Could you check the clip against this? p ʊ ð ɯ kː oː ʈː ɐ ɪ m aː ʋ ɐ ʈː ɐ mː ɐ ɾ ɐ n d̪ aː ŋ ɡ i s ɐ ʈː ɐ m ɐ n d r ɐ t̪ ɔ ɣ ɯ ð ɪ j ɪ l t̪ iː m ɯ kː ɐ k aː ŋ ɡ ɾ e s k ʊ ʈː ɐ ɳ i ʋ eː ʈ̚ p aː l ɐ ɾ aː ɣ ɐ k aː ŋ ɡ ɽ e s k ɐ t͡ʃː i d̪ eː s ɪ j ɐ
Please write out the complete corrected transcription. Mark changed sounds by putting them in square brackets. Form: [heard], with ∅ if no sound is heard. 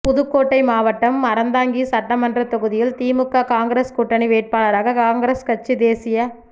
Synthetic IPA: p ʊ ð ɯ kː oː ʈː ɐ ɪ m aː ʋ ɐ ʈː ɐ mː ɐ ɾ ɐ n d̪ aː ŋ ɡ i s ɐ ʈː ɐ m ɐ n d r ɐ t̪ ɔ ɣ ɯ ð ɪ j ɪ l t̪ iː m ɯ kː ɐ k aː ŋ ɡ ɾ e s k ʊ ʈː ɐ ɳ i ʋ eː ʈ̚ p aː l ɐ ɾ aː ɣ ɐ k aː ŋ ɡ [ɾ] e s k ɐ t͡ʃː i d̪ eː s ɪ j ɐ